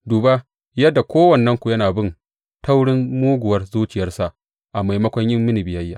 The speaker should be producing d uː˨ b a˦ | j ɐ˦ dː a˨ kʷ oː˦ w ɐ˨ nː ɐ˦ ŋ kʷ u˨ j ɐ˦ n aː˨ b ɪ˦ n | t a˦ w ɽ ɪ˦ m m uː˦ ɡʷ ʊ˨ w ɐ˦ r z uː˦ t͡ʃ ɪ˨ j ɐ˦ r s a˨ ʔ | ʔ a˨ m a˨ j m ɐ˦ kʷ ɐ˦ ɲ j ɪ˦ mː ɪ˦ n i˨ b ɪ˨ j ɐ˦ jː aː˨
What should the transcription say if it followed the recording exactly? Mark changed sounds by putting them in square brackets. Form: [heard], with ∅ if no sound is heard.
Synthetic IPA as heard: d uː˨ b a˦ | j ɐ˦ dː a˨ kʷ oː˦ w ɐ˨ nː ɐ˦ ŋ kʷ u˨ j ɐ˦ n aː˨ b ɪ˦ n | t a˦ w ɽ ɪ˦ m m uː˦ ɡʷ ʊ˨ w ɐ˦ r z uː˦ t͡ʃ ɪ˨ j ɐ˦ r s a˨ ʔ | ʔ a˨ m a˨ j m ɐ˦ kʷ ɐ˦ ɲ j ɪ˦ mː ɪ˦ n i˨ b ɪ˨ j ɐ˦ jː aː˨